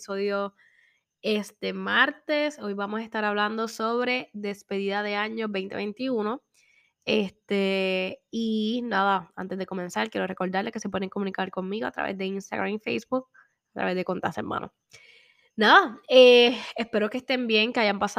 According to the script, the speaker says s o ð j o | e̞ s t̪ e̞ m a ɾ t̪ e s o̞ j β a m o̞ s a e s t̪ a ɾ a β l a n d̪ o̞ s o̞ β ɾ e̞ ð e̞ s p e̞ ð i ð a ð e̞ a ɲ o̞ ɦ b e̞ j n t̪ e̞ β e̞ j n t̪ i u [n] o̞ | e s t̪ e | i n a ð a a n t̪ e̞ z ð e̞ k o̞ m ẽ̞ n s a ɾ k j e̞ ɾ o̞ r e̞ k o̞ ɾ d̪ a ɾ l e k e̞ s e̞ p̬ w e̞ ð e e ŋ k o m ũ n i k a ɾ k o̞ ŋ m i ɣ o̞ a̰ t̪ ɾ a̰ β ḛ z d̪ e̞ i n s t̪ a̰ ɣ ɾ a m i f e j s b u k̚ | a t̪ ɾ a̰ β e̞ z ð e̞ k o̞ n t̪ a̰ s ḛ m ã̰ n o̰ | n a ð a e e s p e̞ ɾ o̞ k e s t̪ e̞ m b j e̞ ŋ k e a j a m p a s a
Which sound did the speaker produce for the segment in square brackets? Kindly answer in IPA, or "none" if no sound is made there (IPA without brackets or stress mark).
n